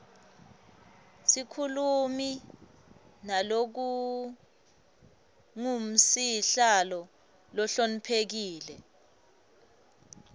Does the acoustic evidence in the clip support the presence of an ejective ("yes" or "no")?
no